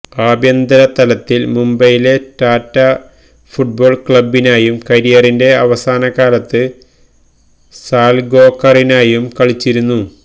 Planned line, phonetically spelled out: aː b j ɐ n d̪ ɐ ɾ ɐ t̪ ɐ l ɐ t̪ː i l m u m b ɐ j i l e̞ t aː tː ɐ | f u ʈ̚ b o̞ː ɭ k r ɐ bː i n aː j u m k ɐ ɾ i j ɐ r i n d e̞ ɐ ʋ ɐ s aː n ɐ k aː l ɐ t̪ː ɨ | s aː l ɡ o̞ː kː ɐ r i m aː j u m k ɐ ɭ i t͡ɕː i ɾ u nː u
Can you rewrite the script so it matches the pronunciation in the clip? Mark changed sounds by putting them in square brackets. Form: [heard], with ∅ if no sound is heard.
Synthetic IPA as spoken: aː b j ɐ n d̪ ɐ ɾ ɐ t̪ ɐ l ɐ t̪ː i l m u m b ɐ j i l e̞ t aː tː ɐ | f u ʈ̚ b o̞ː ɭ k [ɭ] ɐ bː i n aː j u m k ɐ ɾ i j ɐ r i n d e̞ ɐ ʋ ɐ s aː n ɐ k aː l ɐ t̪ː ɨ | s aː l ɡ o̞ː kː ɐ r i [n] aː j u m k ɐ ɭ i t͡ɕː i ɾ u nː u